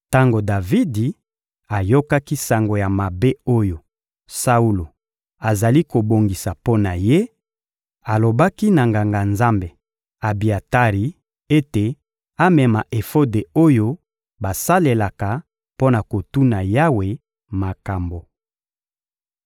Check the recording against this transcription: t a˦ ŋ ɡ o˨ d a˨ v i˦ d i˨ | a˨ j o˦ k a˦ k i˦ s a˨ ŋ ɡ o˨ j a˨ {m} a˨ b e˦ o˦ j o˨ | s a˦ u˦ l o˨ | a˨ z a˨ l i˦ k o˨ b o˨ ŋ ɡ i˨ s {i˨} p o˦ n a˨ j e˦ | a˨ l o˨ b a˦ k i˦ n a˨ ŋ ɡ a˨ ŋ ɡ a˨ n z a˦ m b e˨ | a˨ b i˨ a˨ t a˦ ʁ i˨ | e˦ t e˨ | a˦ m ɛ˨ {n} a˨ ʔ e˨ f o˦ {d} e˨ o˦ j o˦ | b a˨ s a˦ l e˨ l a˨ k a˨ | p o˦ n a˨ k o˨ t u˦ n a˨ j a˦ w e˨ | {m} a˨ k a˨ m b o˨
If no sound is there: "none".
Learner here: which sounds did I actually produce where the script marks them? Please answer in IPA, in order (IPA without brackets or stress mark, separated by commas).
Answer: m, a˨, m, d, m